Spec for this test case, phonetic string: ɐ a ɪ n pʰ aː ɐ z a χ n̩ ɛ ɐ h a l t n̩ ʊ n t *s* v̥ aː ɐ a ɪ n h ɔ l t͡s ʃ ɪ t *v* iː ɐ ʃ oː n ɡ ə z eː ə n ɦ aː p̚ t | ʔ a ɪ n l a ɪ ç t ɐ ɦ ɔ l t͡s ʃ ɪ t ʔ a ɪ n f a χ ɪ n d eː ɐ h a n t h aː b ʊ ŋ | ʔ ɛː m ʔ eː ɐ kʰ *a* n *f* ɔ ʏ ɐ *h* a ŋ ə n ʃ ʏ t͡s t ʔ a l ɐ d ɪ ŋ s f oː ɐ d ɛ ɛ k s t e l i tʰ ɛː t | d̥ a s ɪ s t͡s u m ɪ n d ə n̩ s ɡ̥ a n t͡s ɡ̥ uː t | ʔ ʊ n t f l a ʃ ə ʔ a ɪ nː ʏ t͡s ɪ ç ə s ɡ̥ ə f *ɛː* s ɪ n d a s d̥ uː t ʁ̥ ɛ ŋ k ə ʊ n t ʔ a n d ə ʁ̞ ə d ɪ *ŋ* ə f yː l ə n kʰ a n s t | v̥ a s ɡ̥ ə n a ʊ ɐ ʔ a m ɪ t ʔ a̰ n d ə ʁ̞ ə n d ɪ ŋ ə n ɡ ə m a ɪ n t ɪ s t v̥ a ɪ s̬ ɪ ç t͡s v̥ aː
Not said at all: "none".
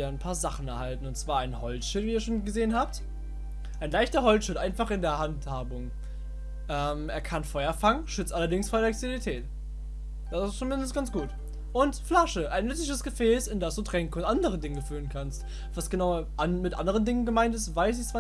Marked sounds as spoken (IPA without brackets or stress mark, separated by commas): t͡s, v, a, f, f, ɛː, ŋ